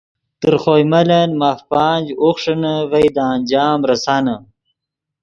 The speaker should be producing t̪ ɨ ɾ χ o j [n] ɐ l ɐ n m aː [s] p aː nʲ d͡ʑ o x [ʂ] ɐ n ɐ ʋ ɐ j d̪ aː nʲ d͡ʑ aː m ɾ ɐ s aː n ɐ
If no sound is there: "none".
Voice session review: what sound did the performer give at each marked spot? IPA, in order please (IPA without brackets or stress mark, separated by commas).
m, f, ʂ